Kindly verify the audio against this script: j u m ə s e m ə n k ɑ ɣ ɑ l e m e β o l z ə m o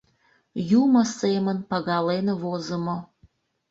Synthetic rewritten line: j u m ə s e m ə n p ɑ ɣ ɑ l e n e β o z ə m o